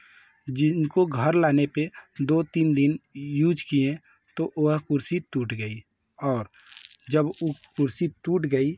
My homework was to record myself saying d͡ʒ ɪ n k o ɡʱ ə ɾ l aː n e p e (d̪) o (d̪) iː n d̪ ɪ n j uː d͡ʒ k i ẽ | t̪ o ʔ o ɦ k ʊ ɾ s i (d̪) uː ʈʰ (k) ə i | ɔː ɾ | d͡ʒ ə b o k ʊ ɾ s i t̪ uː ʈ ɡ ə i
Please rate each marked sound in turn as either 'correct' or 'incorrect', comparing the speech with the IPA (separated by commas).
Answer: correct, incorrect, incorrect, incorrect